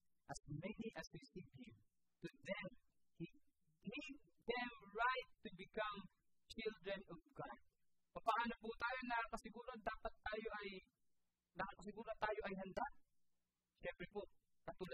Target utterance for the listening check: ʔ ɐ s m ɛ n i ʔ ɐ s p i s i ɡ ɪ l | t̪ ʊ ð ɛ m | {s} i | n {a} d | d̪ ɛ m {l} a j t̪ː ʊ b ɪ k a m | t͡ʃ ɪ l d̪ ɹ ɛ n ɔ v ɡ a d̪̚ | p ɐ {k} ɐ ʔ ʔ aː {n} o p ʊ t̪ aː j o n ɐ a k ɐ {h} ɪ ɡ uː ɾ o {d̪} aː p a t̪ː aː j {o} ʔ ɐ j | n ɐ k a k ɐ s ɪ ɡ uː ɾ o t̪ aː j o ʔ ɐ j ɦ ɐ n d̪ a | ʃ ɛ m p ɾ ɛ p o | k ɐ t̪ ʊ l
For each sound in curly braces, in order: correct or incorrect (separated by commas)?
incorrect, incorrect, incorrect, incorrect, correct, incorrect, correct, correct